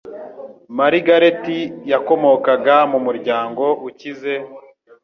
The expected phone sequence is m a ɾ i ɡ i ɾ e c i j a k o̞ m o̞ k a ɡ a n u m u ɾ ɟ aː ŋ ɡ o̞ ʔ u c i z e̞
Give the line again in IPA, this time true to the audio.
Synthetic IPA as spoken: m a ɾ i ɡ a ɾ e t i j a k o̞ m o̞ k a ɡ a m u m u ɾ ɟ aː ŋ ɡ o̞ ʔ u c i z e̞